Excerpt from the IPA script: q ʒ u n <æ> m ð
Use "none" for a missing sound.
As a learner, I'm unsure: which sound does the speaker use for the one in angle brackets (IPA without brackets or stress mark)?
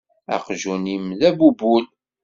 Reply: i